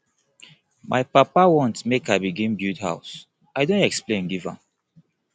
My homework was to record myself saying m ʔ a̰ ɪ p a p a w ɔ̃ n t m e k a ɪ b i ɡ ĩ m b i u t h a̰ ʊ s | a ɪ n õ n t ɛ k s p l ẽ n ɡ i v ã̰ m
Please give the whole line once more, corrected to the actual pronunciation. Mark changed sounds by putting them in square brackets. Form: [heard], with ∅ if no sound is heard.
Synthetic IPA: m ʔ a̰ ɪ p a p a w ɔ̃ n t m e k a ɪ b i ɡ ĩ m b [j] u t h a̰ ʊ s | a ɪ [d] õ n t ɛ k s p l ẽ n ɡ i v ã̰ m

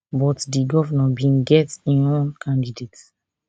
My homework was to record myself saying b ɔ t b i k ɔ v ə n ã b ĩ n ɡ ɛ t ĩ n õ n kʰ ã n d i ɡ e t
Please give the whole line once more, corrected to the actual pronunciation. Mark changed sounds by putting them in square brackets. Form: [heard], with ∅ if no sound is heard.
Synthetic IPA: b ɔ t [d] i [ɡ] ɔ v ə n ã b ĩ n ɡ ɛ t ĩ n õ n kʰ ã n d i [d] e t

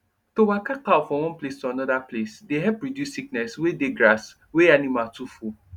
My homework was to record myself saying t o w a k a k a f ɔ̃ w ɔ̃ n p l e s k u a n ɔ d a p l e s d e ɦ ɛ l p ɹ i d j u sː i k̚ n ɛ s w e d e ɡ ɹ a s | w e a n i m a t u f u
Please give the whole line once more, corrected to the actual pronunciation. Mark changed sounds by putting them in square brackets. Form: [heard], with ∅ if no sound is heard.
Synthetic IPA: t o w a k a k a f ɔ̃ w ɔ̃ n p l e s [t] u a n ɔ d a p l e s d e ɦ ɛ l p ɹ i d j u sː i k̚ n ɛ s w e d e ɡ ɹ a s | w e a n i m a t u f u

